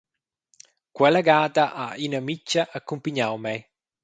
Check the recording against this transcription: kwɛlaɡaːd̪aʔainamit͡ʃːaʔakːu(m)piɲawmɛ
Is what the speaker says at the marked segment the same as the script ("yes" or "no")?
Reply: yes